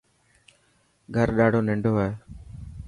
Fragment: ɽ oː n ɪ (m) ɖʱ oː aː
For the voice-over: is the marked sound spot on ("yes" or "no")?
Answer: no